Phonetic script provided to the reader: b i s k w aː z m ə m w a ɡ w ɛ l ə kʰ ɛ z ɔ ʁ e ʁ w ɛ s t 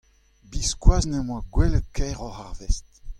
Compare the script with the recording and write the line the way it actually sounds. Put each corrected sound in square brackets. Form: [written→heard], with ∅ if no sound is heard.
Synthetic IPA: b i s k w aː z [m→n] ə m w a ɡ w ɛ l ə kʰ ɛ [z→ʁ] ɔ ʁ [e→a] ʁ [w→v] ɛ s t

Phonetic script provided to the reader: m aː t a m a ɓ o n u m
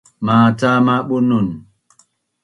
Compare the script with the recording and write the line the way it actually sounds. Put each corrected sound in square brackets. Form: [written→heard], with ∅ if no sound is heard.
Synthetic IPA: m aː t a m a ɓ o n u [m→n]

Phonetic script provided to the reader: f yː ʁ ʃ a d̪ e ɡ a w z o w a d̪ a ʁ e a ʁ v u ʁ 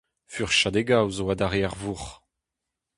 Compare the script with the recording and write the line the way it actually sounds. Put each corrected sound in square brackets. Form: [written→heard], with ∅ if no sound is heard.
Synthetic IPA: f [yː→y] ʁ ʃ a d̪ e ɡ a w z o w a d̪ a ʁ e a ʁ v u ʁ

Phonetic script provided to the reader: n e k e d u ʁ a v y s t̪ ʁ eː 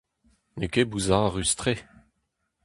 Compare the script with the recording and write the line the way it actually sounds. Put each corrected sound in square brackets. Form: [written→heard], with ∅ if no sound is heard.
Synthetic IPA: n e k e [d→b] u [ʁ→z] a [v→ʁ] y s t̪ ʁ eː

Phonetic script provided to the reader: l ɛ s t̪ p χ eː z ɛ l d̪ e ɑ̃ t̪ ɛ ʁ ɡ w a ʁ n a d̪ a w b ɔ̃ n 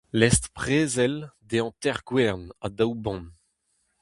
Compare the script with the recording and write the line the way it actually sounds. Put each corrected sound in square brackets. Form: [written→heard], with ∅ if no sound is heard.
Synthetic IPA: l ɛ s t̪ p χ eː z ɛ l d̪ e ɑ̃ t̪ ɛ ʁ ɡ w [a→ɛ] ʁ n a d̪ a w b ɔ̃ n

